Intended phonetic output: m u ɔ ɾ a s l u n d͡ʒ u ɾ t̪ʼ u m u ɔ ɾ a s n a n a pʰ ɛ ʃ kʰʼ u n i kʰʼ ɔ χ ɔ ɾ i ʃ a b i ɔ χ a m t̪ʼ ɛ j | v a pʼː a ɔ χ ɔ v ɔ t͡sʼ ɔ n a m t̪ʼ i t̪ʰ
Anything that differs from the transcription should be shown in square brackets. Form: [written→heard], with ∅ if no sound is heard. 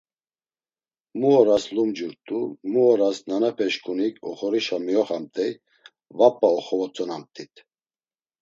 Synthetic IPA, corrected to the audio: m u ɔ ɾ a s l u [n→m] d͡ʒ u ɾ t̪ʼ u m u ɔ ɾ a s n a n a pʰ ɛ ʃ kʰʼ u n i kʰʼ ɔ χ ɔ ɾ i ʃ a [b→m] i ɔ χ a m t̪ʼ ɛ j | v a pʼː a ɔ χ ɔ v ɔ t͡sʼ ɔ n a m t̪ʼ i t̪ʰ